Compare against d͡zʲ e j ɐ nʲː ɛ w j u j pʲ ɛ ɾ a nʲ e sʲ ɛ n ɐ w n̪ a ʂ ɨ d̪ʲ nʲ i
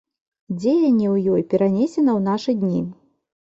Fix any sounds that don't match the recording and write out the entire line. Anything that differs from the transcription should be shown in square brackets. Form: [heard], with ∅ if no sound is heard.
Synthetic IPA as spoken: d͡zʲ e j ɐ nʲː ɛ w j [ɔ] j pʲ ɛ ɾ a nʲ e sʲ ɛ n ɐ w n̪ a ʂ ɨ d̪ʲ nʲ i